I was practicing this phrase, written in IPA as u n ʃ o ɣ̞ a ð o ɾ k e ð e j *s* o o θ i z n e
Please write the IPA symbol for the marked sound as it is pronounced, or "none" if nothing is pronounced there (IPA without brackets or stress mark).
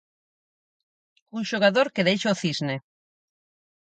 ʃ